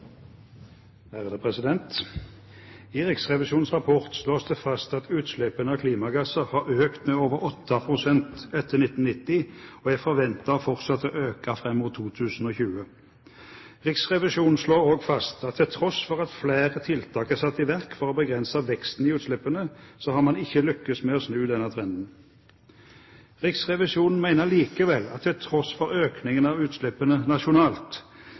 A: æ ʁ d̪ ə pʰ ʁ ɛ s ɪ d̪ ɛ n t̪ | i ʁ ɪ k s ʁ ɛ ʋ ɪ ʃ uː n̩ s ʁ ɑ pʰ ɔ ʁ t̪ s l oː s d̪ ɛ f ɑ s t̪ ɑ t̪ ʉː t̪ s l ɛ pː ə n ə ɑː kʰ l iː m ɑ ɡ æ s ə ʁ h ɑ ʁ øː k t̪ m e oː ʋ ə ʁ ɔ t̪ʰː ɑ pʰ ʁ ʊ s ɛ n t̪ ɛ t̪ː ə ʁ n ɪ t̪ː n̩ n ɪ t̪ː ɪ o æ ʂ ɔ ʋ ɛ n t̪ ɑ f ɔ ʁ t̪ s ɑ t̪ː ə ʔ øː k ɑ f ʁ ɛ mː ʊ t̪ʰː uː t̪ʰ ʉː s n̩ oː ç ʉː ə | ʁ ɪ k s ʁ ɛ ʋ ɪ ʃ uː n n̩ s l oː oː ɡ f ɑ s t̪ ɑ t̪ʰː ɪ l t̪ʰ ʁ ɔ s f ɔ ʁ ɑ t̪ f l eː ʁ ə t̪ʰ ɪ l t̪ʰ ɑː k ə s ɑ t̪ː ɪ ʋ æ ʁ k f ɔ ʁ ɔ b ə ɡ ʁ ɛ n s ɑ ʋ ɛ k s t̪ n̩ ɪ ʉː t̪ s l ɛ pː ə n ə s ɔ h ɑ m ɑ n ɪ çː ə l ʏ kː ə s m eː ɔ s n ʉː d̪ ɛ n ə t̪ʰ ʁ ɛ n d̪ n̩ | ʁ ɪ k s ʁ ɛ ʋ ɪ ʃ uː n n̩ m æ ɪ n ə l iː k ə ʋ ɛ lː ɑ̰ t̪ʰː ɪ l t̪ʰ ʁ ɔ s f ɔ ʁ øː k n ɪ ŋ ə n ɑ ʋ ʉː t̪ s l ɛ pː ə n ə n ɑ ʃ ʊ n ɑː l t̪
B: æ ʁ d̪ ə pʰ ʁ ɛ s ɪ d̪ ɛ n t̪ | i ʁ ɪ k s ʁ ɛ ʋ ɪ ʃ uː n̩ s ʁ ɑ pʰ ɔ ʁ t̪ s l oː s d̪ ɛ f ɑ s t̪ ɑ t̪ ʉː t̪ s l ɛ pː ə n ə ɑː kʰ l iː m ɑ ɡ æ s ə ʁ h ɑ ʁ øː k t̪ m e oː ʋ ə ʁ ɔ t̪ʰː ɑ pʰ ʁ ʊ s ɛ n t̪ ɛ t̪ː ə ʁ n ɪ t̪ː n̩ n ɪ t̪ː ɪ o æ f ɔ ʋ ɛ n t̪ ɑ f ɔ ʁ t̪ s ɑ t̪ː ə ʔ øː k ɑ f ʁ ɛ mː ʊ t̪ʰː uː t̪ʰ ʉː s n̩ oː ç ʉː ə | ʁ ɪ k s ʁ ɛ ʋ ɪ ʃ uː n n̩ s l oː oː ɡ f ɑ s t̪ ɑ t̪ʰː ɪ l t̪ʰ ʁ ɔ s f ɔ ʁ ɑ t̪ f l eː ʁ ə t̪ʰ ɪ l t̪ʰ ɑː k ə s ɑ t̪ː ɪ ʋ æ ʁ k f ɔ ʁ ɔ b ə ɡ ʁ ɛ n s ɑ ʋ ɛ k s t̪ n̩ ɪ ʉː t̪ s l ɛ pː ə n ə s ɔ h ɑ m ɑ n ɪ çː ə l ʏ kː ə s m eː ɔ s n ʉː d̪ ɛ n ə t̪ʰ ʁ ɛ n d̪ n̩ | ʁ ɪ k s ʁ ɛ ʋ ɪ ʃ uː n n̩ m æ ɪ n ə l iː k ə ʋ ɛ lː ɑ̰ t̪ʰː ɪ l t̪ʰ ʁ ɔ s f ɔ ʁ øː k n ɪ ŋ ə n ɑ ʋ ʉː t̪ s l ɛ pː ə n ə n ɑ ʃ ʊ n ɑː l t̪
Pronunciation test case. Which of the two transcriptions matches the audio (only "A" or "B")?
B